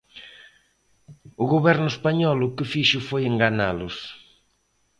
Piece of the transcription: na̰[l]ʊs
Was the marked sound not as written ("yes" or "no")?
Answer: no